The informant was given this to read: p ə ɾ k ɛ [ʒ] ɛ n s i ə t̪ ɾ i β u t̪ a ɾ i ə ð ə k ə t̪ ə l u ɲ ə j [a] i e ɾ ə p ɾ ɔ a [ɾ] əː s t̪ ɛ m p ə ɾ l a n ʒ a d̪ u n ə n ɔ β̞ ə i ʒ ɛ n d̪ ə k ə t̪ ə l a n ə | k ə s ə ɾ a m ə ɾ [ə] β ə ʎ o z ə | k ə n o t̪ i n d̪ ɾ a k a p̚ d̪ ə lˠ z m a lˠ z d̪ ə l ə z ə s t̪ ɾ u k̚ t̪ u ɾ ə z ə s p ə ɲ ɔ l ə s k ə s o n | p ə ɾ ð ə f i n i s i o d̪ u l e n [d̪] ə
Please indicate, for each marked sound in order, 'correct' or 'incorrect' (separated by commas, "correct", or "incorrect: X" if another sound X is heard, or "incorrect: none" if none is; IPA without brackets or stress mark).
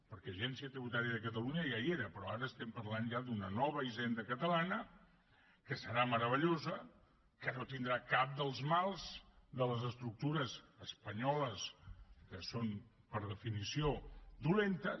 correct, correct, correct, correct, incorrect: t̪